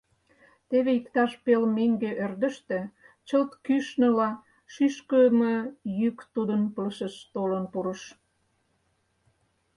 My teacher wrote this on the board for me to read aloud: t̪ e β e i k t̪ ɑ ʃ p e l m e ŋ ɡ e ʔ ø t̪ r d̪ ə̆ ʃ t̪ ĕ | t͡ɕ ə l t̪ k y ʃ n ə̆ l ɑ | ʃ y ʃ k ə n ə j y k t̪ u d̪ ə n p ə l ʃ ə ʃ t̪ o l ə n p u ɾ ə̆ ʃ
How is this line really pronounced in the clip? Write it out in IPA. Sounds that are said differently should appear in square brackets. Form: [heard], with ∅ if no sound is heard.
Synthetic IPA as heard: t̪ e β e i k t̪ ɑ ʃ p e l m e ŋ ɡ e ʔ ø [∅] r d̪ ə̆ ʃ t̪ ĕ | t͡ɕ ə l t̪ k y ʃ n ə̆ l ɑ | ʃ y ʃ k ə [m] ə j y k t̪ u d̪ ə n p ə l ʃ ə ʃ t̪ o l ə n p u ɾ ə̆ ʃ

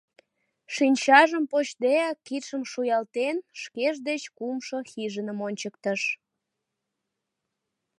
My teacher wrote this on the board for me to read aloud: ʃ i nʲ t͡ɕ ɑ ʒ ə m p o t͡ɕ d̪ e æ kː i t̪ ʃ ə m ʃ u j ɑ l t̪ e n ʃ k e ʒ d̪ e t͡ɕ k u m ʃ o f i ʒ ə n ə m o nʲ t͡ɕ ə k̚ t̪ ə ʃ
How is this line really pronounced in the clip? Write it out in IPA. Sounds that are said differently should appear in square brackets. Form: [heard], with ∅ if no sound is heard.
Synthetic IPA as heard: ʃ i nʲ t͡ɕ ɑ ʒ ə m p o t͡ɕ d̪ e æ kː i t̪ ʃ ə m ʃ u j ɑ l t̪ e n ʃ k e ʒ d̪ e t͡ɕ k u m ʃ o [x] i ʒ ə n ə m o nʲ t͡ɕ ə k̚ t̪ ə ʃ

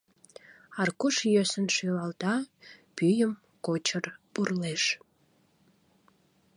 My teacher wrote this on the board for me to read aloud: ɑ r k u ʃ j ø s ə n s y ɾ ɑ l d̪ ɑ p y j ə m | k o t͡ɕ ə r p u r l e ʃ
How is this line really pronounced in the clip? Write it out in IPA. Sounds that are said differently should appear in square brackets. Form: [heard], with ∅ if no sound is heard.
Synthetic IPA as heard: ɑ r k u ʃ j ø s ə n [ʃ] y [l] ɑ l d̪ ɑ p y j ə m | k o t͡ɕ ə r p u r l e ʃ

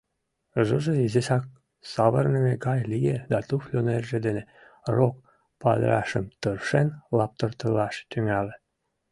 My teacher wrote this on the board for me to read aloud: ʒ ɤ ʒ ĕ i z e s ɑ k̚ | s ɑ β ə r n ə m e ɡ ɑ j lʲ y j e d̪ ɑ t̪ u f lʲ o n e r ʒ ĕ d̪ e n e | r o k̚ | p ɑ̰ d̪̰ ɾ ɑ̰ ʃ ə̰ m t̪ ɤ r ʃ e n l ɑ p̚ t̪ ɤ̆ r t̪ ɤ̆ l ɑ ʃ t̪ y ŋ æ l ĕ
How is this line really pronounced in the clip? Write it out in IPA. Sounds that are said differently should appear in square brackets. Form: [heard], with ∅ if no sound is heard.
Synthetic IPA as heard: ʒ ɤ ʒ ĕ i z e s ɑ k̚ | s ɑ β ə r n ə m e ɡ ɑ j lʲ [i] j e d̪ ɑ t̪ u f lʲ o n e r ʒ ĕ d̪ e n e | r o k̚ | p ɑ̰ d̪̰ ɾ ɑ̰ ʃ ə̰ m t̪ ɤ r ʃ e n l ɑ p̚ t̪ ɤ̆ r t̪ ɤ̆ l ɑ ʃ t̪ y ŋ æ l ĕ

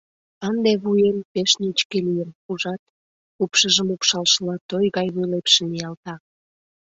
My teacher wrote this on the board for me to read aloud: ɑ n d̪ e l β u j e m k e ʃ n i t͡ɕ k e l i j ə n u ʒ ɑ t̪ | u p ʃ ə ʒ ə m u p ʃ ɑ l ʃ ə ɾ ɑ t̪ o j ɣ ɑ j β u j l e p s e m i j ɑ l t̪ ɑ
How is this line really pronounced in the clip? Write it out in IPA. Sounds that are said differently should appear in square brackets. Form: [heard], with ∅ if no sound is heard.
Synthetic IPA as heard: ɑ n d̪ e [∅] β u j e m [p] e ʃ n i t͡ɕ k e l i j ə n u ʒ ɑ t̪ | u p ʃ ə ʒ ə m u p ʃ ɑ l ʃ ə [l] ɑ t̪ o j ɣ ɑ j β u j l e p [ʃ] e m i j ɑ l t̪ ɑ

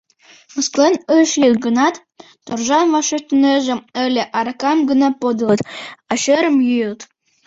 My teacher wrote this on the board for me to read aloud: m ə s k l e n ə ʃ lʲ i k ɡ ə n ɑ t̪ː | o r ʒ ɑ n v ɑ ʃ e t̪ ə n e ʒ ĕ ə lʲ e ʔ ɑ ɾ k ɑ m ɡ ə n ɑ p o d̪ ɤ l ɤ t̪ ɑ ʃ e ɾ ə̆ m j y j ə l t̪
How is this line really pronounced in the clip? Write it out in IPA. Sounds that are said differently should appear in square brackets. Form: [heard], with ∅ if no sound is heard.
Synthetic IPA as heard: m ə s k l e n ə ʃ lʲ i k ɡ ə n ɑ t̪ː | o r ʒ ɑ n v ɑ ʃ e t̪ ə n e ʒ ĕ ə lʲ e ʔ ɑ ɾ k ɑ m ɡ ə n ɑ p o d̪ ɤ l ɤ t̪ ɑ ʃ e ɾ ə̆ m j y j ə l t̪

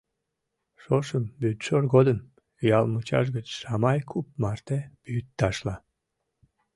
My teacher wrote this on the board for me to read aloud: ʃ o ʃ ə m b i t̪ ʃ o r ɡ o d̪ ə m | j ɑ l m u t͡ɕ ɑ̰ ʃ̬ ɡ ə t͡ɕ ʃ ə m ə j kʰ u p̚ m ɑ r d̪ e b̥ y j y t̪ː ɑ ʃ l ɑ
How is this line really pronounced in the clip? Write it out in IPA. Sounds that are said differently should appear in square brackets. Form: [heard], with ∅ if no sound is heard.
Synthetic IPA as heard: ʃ o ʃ ə m b [y] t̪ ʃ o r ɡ o d̪ ə m | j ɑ l m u t͡ɕ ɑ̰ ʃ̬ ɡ ə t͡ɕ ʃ [ɑ] m [ɑ] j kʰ u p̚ m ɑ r [t̪] e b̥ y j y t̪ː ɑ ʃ l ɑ

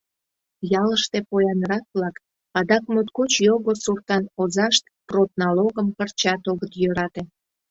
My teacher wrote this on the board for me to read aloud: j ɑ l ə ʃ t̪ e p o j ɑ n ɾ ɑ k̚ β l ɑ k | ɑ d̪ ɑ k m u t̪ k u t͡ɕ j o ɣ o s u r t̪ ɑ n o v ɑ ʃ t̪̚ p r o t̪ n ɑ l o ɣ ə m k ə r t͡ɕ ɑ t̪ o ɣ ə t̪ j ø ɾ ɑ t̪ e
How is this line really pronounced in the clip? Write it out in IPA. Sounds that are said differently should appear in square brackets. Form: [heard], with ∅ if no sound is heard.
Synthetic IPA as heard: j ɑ l ə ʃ t̪ e p o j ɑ n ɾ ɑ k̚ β l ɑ k | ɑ d̪ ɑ k m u t̪ k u t͡ɕ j o ɣ o s u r t̪ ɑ n o [z] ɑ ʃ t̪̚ p r o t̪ n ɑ l o ɣ ə m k ə r t͡ɕ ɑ t̪ o ɣ ə t̪ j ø ɾ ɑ t̪ e

